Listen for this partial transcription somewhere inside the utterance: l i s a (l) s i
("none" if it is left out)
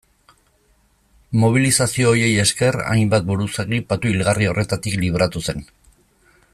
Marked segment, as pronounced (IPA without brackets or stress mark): none